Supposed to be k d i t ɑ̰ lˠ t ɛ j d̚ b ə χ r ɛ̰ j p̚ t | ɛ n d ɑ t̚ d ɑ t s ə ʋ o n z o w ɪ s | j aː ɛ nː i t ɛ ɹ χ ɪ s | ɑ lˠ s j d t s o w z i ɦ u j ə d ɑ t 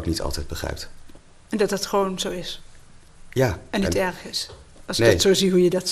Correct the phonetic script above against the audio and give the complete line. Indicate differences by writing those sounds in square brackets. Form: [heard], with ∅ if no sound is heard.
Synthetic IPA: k [n] i t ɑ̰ lˠ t ɛ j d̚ b ə χ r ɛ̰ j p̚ t | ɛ n d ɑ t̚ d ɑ t [χ] ə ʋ o n z o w ɪ s | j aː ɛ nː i t ɛ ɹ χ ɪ s | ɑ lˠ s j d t s o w z i ɦ u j ə d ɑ t